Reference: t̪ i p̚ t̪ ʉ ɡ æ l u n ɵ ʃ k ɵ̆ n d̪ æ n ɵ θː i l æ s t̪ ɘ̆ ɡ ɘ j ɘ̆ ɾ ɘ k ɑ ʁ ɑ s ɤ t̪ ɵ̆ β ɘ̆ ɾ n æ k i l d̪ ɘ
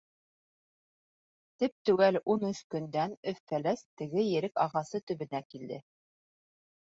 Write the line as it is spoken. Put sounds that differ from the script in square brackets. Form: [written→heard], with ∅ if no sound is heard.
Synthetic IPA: t̪ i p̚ t̪ ʉ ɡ æ l u n ɵ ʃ k ɵ̆ n d̪ æ n ɵ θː [i→æ] l æ s t̪ ɘ̆ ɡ ɘ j ɘ̆ ɾ ɘ k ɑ ʁ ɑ s ɤ t̪ ɵ̆ β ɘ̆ [ɾ→∅] n æ k i l d̪ ɘ